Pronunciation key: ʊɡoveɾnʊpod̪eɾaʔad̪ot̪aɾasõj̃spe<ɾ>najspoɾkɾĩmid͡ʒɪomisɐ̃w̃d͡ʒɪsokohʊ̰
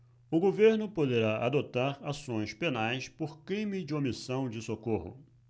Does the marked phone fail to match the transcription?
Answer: yes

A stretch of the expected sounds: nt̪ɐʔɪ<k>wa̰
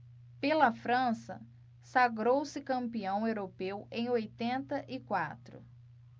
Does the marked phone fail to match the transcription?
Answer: no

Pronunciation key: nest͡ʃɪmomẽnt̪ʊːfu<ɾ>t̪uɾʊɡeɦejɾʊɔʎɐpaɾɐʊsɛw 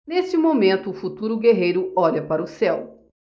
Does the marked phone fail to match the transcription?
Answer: yes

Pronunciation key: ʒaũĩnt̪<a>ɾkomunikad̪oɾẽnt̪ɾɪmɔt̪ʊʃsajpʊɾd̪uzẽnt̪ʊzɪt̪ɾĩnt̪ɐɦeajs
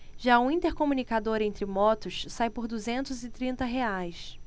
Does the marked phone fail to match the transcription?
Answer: yes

